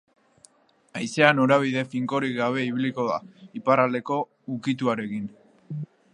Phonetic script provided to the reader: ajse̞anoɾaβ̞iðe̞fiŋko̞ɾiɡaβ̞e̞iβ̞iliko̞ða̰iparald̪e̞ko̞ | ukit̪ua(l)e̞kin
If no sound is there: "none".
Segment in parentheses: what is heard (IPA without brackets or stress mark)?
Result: ɾ